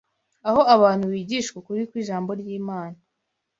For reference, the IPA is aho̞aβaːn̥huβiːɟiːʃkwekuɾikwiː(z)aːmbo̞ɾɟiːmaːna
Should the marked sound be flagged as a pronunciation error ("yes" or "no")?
yes